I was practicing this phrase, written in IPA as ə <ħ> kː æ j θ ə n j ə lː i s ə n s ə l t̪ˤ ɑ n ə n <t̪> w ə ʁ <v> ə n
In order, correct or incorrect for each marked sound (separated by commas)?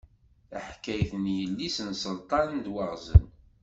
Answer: correct, incorrect, incorrect